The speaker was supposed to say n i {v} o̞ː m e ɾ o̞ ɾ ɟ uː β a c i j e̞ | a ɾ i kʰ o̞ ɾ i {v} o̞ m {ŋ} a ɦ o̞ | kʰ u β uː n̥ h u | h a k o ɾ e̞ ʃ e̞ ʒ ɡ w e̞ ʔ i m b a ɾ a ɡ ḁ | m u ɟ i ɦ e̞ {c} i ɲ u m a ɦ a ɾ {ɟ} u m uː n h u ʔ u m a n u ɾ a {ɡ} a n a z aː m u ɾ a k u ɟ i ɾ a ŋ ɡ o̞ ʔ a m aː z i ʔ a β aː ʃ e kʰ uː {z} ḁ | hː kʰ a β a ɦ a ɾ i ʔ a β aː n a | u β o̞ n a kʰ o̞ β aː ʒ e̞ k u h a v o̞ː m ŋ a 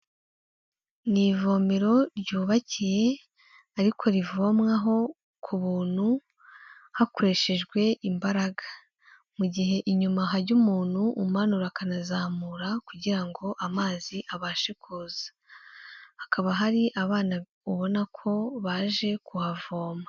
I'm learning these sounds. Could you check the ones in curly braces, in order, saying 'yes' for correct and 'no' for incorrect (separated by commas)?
yes, yes, yes, no, yes, no, yes